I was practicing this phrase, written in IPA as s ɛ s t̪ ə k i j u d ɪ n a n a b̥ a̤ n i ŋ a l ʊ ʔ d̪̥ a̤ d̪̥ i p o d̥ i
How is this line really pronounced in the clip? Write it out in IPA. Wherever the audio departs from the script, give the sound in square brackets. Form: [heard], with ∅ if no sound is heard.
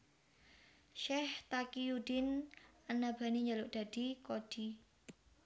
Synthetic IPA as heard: [ʃ] ɛ [h] t̪ [a] k i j u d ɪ n a n a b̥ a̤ n i [ɲ] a l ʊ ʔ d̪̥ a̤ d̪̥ i [k] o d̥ i